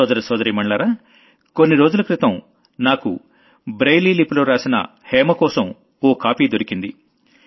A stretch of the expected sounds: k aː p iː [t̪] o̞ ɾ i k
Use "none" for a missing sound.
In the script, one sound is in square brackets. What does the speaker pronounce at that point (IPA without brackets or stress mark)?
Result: d̪